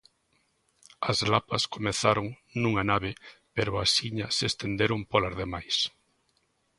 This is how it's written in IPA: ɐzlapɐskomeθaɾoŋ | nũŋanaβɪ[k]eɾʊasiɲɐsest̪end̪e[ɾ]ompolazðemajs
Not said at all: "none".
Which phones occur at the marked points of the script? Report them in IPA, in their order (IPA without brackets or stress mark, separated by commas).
p, ɾ